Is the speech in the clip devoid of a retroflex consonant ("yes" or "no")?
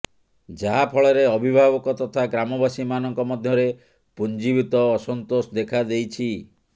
no